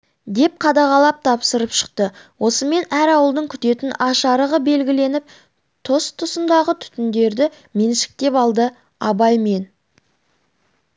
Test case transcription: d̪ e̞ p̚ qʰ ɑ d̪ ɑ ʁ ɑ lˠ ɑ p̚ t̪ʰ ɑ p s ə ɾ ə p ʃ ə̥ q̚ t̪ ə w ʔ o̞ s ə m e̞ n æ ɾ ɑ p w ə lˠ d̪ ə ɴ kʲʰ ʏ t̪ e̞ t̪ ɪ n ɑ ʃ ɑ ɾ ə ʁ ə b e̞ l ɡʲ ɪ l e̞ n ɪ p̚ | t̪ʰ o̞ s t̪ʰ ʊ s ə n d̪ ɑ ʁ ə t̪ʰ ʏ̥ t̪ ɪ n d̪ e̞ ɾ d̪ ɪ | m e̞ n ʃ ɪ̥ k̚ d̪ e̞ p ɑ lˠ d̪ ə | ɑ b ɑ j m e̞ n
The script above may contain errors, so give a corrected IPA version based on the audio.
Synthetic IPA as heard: d̪ e̞ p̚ qʰ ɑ d̪ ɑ ʁ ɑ lˠ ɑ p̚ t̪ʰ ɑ p s ə ɾ ə p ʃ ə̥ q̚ t̪ ə w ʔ o̞ s ə m e̞ n æ ɾ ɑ w ə lˠ d̪ ə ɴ kʲʰ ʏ t̪ e̞ t̪ ɪ n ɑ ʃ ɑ ɾ ə ʁ ə b e̞ l ɡʲ ɪ l e̞ n ɪ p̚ | t̪ʰ o̞ s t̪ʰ ʊ s ə n d̪ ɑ ʁ ə t̪ʰ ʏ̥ t̪ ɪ n d̪ e̞ ɾ d̪ ɪ | m e̞ n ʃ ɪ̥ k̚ t̪ e̞ p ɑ lˠ d̪ ə | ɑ b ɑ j m e̞ n